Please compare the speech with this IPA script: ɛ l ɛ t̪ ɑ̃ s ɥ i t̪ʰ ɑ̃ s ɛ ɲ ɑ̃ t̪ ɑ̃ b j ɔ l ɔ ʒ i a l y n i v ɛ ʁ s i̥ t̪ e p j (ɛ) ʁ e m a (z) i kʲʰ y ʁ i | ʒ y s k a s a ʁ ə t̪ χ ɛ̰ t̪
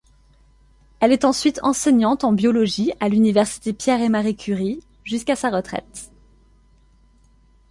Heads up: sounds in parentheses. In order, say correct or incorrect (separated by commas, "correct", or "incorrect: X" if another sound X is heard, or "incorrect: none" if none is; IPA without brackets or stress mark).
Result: correct, incorrect: ʁ